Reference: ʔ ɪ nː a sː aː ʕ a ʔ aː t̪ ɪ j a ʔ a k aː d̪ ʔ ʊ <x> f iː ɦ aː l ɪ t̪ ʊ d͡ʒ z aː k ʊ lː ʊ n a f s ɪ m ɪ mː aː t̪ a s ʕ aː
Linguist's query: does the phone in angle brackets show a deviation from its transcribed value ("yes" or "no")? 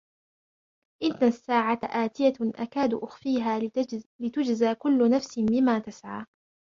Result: no